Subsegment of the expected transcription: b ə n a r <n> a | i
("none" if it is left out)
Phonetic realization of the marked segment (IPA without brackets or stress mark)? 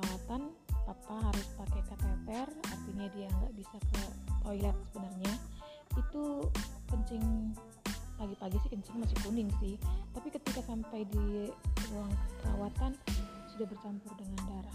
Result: ɲ